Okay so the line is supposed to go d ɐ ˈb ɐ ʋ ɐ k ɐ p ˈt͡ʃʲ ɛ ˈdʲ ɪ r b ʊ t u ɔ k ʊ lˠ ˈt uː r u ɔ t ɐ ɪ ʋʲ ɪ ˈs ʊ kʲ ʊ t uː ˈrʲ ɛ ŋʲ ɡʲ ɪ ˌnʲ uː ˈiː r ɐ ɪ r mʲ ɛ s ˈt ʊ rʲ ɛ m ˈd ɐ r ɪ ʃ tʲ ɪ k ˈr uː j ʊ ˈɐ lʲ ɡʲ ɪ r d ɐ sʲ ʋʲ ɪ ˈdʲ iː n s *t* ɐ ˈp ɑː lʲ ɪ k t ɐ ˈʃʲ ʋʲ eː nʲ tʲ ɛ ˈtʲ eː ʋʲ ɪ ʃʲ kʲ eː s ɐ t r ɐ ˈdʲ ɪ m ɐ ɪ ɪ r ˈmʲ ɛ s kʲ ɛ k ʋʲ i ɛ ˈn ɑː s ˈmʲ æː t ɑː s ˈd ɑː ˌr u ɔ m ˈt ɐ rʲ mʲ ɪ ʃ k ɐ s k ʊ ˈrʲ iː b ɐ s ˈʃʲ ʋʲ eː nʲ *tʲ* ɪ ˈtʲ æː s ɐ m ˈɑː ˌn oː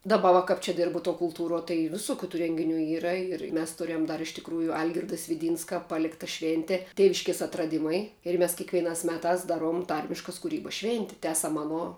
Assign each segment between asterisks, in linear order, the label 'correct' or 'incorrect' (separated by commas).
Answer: incorrect, correct